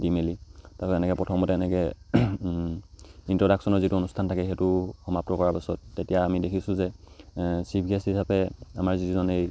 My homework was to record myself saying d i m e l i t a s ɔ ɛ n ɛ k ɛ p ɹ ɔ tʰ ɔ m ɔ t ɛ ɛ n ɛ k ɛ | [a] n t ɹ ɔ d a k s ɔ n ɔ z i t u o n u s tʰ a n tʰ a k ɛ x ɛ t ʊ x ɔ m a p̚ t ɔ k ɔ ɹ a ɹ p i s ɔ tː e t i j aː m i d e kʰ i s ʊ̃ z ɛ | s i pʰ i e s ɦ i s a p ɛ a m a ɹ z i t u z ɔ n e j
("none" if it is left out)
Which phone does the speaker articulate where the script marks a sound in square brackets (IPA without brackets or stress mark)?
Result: i